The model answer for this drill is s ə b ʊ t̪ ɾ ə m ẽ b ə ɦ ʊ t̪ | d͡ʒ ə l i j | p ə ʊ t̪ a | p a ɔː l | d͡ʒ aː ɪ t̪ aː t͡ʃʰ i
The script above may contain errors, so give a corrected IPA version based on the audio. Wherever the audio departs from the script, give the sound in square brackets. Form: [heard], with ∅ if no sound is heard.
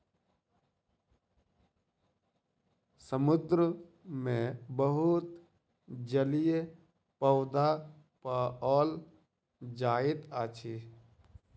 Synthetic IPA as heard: s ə [m] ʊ [d̪] ɾ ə m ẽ b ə ɦ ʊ t̪ | d͡ʒ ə l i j | p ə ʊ [d̪] a | p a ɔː l | d͡ʒ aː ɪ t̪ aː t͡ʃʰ i